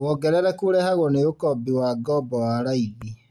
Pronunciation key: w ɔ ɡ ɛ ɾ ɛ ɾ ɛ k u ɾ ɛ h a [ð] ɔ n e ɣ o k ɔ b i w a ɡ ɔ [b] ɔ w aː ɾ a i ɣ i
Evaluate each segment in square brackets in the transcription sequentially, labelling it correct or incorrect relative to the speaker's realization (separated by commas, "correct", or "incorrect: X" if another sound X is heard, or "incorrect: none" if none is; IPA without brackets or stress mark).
incorrect: ɣ, correct